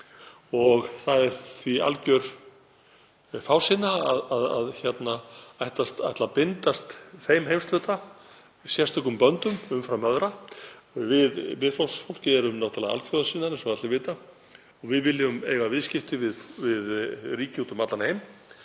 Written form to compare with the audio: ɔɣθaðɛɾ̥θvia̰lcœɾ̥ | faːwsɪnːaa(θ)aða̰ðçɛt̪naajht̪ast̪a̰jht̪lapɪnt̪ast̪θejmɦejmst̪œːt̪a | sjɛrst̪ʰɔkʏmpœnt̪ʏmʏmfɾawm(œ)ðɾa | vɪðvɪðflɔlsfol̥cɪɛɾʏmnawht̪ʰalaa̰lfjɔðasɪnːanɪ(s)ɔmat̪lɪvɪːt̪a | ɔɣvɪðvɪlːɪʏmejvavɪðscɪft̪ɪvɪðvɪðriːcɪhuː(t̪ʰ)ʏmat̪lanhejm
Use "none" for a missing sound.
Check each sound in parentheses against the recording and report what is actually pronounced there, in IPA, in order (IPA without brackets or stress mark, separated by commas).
ð, œ, s, t̪